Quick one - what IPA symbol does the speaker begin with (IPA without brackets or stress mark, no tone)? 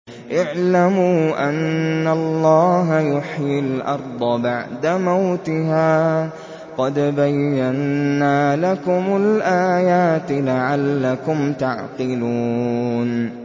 ʔ